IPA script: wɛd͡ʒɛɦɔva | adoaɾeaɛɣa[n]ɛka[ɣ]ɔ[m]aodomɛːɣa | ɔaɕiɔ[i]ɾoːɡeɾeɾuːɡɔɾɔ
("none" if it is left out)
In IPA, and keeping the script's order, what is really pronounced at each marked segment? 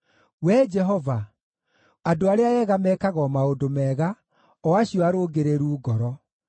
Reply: m, ɣ, m, a

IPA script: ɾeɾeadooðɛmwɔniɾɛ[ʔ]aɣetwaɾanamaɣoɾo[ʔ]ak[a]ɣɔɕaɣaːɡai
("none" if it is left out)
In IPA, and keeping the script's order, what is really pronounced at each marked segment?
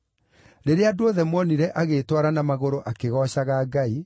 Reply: ʔ, ʔ, e

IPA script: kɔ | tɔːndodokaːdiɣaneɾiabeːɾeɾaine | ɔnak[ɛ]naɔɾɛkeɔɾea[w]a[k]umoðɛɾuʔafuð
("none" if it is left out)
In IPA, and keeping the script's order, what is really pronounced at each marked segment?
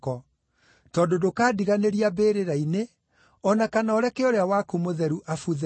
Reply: a, w, k

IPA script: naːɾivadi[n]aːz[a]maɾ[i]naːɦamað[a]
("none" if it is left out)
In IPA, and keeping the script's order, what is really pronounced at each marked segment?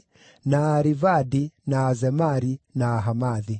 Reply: n, ɛ, i, i

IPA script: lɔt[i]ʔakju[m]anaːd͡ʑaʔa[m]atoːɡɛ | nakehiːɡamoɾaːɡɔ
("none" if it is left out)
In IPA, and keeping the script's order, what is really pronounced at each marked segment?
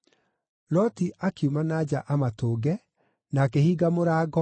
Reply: i, m, m

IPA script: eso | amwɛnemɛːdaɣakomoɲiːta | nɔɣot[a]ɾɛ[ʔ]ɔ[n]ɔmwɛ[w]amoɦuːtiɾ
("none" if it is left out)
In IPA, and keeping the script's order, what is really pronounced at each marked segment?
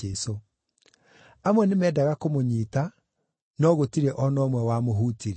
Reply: i, ʔ, n, w

